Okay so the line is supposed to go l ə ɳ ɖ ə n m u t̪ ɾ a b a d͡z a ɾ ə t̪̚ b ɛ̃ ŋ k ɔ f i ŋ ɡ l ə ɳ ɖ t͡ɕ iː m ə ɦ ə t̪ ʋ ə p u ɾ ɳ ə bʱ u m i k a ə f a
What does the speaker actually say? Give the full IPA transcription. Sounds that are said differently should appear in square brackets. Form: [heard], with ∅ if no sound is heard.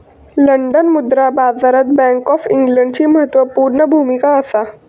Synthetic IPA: l ə ɳ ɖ ə n m u [d̪] ɾ a b a d͡z a ɾ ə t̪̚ b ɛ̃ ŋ k ɔ f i ŋ ɡ l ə ɳ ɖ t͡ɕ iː m ə ɦ ə t̪ ʋ ə p u ɾ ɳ ə bʱ u m i k a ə [s] a